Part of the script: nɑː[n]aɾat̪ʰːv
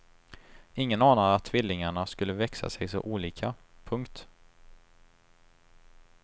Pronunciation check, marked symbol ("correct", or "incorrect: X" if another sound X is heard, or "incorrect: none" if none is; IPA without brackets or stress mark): correct